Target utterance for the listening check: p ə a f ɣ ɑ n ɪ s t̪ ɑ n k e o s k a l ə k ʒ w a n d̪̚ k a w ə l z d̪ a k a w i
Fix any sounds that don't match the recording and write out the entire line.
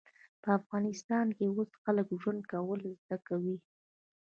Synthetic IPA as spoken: p ə a f ɣ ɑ n ɪ s t̪ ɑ n k e o s x a l ə k ʒ w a n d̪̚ k a w ə l z d̪ a k a w i